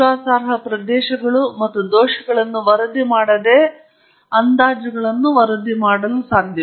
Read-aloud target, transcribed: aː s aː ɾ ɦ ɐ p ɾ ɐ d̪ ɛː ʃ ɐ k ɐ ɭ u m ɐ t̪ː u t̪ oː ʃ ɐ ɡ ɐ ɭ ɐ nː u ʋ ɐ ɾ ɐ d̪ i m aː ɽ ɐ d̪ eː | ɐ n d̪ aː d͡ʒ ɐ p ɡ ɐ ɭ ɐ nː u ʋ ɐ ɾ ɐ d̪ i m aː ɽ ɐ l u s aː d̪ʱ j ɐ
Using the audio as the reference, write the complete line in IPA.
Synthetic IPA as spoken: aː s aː ɾ ɦ ɐ p ɾ ɐ d̪ ɛː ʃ ɐ ɡ ɐ ɭ u m ɐ t̪ː u d̪ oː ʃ ɐ ɡ ɐ ɭ ɐ nː u ʋ ɐ ɾ ɐ d̪ i m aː ɽ ɐ d̪ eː | ɐ n d̪ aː d͡ʒ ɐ ɡ ɐ ɭ ɐ nː u ʋ ɐ ɾ ɐ d̪ i m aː ɽ ɐ l u s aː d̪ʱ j ɐ